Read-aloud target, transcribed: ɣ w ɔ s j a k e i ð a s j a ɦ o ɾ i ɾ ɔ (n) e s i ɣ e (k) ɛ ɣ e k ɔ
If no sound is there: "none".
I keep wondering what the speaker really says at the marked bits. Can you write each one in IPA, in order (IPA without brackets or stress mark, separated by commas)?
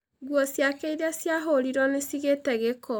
n, t